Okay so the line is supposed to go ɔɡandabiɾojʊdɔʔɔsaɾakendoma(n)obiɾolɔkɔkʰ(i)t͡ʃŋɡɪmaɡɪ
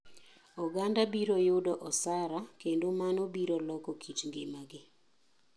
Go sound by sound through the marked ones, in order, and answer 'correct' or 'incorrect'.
correct, correct

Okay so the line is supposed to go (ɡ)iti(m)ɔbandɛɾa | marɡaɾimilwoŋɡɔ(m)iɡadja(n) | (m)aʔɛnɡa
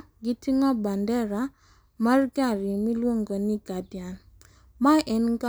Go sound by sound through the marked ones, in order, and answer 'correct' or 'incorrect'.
correct, incorrect: ŋ, incorrect: n, correct, correct

